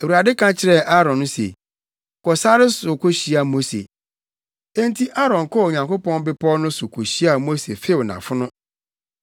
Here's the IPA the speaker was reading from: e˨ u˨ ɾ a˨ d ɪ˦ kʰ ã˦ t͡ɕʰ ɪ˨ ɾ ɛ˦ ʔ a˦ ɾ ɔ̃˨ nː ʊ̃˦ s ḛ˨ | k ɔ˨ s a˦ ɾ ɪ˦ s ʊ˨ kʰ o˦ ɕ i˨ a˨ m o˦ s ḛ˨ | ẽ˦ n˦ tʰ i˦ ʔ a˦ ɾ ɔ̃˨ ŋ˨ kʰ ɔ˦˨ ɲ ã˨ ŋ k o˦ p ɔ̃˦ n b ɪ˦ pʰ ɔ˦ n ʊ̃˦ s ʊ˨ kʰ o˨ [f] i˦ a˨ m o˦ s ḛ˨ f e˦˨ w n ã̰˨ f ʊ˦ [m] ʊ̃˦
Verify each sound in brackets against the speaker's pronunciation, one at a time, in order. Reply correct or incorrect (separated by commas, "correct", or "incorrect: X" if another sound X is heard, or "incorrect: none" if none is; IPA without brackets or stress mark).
incorrect: ɕ, incorrect: n